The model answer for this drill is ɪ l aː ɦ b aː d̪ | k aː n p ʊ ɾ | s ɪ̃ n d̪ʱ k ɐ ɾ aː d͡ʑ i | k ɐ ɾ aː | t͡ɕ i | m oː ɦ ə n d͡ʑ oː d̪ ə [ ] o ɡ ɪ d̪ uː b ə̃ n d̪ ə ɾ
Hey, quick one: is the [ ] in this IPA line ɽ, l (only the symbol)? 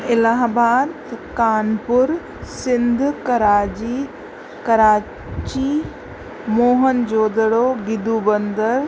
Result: ɽ